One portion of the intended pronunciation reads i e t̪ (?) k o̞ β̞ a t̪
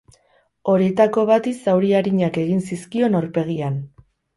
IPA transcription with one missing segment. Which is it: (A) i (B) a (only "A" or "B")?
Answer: B